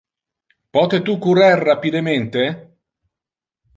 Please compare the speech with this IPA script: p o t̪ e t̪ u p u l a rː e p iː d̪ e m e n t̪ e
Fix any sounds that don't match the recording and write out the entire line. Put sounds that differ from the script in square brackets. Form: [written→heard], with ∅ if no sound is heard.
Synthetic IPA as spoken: p [o→ɔ] t̪ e t̪ u [p→k] u [l→ɾ] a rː [e→a] p [iː→i] d̪ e m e n t̪ e